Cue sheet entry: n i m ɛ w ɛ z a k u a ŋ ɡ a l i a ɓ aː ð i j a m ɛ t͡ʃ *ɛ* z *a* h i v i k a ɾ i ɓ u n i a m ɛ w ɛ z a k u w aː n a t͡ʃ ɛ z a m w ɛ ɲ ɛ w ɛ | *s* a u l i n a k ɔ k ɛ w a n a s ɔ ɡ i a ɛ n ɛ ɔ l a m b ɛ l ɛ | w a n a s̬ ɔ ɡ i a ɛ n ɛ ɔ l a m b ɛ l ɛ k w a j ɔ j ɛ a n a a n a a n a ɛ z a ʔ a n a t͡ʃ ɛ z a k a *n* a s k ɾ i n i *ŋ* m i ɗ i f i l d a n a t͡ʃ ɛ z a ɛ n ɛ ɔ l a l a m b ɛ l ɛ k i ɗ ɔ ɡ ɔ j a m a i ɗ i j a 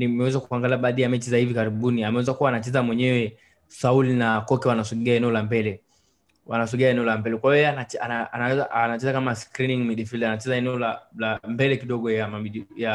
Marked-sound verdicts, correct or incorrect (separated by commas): incorrect, correct, correct, incorrect, correct